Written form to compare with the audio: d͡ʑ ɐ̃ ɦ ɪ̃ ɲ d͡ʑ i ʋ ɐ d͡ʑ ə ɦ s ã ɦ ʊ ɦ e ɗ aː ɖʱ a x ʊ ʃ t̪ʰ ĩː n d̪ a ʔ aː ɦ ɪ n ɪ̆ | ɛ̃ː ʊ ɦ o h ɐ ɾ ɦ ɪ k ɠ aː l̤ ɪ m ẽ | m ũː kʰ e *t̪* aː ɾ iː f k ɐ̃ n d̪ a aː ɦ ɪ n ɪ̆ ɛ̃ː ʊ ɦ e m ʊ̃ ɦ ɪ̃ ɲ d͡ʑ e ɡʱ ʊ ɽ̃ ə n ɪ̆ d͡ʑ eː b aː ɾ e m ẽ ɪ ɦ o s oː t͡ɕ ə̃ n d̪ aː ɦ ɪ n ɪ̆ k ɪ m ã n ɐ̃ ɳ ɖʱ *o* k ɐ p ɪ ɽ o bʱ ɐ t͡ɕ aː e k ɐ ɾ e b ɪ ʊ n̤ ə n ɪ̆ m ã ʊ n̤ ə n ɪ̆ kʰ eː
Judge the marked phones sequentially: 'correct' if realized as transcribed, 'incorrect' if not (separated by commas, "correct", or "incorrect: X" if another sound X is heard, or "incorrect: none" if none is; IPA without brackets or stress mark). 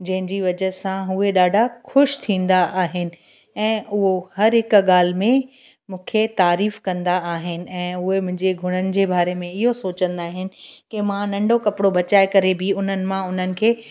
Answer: correct, correct